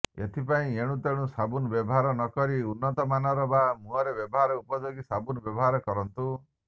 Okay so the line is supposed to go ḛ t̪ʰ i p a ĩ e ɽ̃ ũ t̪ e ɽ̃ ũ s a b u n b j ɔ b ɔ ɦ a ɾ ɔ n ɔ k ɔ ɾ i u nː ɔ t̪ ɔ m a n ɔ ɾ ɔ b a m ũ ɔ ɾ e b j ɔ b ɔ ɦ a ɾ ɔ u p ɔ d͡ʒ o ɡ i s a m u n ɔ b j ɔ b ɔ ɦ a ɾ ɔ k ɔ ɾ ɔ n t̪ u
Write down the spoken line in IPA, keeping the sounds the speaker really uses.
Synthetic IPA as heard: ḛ t̪ʰ i p a ĩ e ɽ̃ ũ t̪ e ɽ̃ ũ s a b u n b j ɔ b ɔ ɦ a ɾ ɔ n ɔ k ɔ ɾ i u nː ɔ t̪ ɔ m a n ɔ ɾ ɔ b a m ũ ɔ ɾ e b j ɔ b ɔ ɦ a ɾ ɔ u p ɔ d͡ʒ o ɡ i s a b u n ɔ b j ɔ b ɔ ɦ a ɾ ɔ k ɔ ɾ ɔ n t̪ u